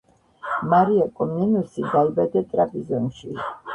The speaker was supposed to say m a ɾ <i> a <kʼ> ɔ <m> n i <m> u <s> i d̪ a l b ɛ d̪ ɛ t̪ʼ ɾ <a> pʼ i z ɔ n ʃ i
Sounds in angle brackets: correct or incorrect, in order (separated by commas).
correct, correct, correct, incorrect, correct, correct